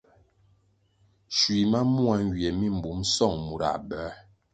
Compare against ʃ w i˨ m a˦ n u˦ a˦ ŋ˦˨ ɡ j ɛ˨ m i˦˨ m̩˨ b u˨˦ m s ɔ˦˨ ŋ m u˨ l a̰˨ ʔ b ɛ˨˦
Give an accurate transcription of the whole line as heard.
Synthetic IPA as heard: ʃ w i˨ m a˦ m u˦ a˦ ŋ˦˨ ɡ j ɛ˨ m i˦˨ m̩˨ b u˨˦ m s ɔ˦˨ ŋ m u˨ ɾ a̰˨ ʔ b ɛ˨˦